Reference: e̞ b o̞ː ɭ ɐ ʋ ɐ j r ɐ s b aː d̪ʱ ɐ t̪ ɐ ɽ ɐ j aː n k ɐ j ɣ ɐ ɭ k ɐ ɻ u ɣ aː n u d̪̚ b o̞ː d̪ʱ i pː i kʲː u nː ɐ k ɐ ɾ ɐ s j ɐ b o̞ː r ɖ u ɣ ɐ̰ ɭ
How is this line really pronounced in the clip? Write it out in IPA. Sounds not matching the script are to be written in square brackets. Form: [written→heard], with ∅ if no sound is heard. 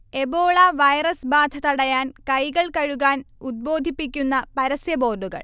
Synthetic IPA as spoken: e̞ b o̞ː ɭ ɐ ʋ ɐ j r ɐ s b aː d̪ʱ ɐ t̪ ɐ ɽ ɐ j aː n k ɐ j ɣ ɐ ɭ k ɐ ɻ u ɣ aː n u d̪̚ b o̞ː d̪ʱ i pː i kʲː u nː ɐ [k→p] ɐ ɾ ɐ s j ɐ b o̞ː r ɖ u ɣ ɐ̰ ɭ